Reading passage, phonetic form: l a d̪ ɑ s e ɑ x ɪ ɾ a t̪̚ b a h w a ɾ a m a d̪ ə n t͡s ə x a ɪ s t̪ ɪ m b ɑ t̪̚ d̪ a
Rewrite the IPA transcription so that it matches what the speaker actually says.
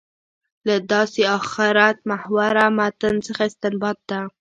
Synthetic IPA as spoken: l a d̪ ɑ s e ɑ x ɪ ɾ a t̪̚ m a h w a ɾ a m a t̪ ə n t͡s ə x a ɪ s t̪ ɪ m b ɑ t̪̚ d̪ a

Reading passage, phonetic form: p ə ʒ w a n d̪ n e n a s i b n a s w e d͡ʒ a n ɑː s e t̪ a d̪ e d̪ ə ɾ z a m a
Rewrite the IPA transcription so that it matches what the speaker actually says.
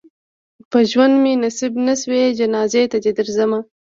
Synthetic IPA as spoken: p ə ʒ w a n d̪ m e n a s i b n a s w e d͡ʒ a n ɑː z e t̪ a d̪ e d̪ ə ɾ z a m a

